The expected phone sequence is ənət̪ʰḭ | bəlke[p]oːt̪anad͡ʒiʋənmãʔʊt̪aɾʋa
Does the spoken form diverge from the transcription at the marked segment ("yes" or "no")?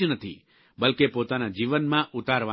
no